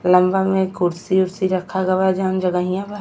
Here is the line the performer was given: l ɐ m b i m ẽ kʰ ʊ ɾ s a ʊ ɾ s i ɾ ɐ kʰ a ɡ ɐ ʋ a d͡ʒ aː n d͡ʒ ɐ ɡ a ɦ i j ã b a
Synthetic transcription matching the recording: l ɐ m b a m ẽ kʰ ʊ ɾ s i ʊ ɾ s i ɾ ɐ kʰ a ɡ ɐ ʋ a d͡ʒ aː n d͡ʒ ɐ ɡ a ɦ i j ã b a